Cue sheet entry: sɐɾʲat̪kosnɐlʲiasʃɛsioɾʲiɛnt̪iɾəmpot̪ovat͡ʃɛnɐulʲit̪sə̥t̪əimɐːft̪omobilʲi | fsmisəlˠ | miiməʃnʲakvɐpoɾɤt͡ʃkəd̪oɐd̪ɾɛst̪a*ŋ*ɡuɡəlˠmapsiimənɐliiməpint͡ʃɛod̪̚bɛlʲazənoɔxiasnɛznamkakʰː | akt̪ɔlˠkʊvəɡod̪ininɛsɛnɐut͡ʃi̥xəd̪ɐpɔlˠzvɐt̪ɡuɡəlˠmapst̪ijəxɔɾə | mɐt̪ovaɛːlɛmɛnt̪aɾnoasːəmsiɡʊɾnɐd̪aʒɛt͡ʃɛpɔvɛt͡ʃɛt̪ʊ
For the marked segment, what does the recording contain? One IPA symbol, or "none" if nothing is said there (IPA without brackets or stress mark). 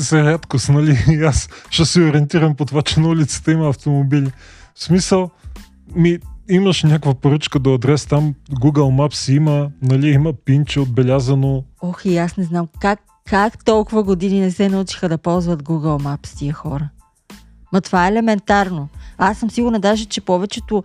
m